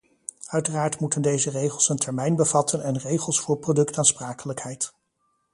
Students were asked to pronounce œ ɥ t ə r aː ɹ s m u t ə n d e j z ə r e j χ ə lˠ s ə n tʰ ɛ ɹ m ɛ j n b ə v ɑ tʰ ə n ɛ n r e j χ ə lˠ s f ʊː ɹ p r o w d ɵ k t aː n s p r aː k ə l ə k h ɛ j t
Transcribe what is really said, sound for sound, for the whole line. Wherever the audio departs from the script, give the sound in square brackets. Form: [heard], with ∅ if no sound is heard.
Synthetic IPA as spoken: œ ɥ t ə r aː ɹ [t] m u t ə n d e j z ə r e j χ ə lˠ s ə n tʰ ɛ ɹ m ɛ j n b ə v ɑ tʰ ə n ɛ n r e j χ ə lˠ s f ʊː ɹ p r o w d ɵ k t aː n s p r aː k ə l ə k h ɛ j t